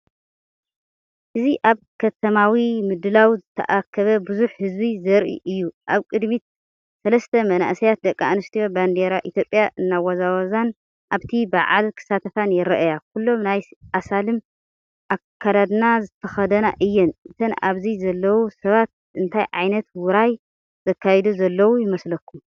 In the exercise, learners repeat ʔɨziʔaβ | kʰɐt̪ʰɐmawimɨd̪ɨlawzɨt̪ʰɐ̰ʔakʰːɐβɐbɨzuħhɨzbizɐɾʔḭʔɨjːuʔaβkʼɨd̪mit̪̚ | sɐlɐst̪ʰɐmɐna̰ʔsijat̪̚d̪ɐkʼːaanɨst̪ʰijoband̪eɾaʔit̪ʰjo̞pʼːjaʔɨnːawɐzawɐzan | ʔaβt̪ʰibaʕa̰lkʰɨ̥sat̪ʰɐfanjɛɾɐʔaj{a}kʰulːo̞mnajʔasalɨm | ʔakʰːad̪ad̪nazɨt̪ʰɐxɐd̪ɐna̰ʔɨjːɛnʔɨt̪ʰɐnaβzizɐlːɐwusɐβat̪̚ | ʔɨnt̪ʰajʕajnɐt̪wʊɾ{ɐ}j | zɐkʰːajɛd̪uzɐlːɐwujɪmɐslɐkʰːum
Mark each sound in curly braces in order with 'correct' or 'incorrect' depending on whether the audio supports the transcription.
correct, incorrect: a

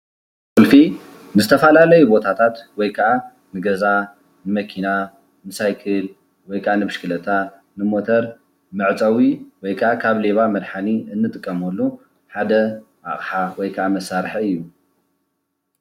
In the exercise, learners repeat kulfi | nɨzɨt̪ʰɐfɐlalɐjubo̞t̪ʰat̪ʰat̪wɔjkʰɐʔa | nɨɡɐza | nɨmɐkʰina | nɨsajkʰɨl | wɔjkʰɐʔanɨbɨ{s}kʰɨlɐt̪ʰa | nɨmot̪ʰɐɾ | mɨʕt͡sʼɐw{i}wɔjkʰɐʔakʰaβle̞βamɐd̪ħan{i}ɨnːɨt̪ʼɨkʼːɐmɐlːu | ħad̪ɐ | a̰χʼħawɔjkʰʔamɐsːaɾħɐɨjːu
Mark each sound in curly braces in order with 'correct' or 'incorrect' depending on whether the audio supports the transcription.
incorrect: ʃ, correct, correct

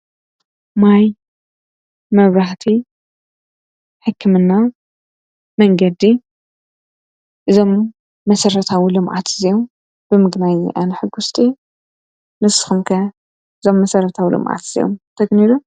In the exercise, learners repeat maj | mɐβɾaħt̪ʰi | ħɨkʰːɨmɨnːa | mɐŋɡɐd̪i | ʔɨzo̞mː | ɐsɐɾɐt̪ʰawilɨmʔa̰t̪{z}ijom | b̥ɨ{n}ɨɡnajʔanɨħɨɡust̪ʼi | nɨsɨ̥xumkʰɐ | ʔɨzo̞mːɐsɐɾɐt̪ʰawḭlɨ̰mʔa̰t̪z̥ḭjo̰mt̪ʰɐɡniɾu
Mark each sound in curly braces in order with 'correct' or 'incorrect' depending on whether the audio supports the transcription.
correct, incorrect: m

